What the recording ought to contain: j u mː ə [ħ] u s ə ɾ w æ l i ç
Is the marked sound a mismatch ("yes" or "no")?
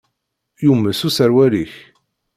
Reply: yes